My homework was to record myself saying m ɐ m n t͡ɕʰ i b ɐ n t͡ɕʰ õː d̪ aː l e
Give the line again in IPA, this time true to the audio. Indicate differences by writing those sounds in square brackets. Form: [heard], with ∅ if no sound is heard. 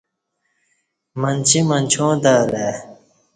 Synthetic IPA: m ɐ [∅] n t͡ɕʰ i [m] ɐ n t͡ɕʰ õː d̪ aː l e